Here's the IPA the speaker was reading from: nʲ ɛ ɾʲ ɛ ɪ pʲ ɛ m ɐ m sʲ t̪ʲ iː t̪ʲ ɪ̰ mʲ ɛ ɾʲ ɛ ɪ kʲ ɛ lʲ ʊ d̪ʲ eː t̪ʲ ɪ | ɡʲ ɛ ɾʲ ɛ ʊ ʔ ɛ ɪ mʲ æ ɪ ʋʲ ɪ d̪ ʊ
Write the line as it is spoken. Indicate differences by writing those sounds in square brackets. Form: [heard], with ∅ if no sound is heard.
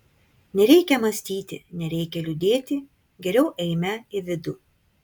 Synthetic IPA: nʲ ɛ ɾʲ ɛ ɪ [kʲ] ɛ m ɐ [∅] sʲ t̪ʲ iː t̪ʲ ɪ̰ [nʲ] ɛ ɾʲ ɛ ɪ kʲ ɛ lʲ ʊ d̪ʲ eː t̪ʲ ɪ | ɡʲ ɛ ɾʲ ɛ ʊ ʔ ɛ ɪ mʲ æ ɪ ʋʲ ɪ d̪ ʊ